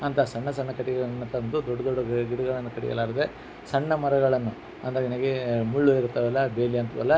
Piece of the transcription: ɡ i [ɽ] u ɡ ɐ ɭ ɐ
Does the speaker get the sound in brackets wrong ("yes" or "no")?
no